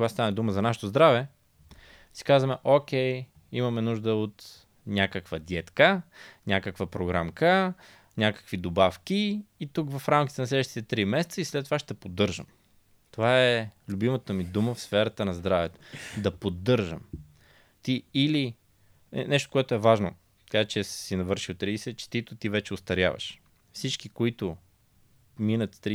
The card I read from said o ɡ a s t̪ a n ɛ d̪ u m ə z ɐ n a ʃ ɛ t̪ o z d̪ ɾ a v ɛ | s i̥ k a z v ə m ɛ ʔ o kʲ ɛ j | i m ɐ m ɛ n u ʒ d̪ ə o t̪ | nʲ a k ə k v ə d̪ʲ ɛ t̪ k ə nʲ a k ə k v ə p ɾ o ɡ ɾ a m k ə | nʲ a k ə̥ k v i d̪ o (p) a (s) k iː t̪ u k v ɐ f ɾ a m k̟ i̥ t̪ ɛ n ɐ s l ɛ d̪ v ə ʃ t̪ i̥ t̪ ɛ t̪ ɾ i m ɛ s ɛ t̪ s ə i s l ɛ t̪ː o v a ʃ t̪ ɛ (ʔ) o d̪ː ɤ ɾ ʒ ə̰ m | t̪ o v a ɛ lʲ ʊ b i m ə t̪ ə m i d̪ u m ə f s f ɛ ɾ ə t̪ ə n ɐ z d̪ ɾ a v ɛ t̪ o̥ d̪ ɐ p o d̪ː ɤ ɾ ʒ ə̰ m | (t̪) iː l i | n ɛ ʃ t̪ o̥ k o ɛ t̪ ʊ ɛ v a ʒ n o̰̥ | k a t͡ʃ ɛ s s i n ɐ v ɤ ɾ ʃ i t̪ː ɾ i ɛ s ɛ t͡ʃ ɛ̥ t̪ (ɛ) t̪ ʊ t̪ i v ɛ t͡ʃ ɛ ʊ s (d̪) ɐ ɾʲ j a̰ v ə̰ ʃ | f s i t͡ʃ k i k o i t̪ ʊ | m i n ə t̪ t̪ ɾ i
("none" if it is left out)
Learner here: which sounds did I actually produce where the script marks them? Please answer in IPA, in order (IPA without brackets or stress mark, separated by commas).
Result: b, f, p, t̪, i, t̪